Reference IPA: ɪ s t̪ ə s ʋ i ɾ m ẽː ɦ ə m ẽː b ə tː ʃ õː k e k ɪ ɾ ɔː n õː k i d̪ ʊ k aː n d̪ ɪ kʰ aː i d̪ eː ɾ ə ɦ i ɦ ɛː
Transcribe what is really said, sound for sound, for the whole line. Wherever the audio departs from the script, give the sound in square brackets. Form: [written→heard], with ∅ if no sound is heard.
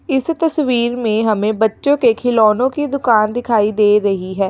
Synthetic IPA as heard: ɪ s t̪ ə s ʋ [i→iː] ɾ m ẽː ɦ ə m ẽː b ə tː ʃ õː k e [k→kʰ] ɪ [ɾ→l] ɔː n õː k i d̪ ʊ k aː n d̪ ɪ kʰ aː i d̪ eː ɾ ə ɦ i ɦ ɛː